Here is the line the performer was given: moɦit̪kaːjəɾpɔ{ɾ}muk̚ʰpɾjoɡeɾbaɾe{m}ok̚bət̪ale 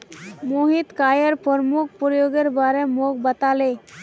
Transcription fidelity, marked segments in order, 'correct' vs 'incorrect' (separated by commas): correct, correct